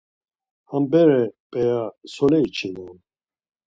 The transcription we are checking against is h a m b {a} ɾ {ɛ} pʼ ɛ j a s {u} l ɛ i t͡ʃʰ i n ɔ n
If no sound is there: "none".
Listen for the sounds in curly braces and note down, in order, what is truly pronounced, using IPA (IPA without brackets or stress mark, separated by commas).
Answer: ɛ, ɛ, ɔ